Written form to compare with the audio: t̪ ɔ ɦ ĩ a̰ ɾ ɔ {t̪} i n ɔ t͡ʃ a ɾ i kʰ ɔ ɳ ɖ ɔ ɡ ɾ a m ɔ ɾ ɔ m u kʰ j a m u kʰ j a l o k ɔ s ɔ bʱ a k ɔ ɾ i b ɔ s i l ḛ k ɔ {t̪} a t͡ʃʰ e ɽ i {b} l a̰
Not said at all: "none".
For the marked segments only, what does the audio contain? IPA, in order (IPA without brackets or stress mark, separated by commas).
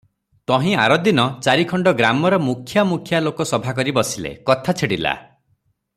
d̪, t̪ʰ, none